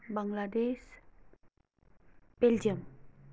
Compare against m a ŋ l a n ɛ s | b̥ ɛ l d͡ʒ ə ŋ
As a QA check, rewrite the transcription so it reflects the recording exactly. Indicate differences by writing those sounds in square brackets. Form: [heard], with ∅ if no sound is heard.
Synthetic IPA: [b] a ŋ l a [d] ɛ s | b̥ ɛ l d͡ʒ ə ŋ